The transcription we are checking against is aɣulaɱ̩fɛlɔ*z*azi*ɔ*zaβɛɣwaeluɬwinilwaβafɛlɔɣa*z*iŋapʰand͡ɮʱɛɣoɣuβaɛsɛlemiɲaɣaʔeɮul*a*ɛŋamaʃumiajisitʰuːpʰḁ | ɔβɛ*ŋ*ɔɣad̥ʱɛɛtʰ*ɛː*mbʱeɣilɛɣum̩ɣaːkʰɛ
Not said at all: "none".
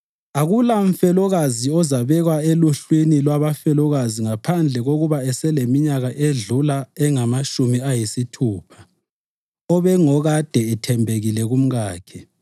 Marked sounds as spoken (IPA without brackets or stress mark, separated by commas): ɣ, ɔ, z, a, ŋ, ɛ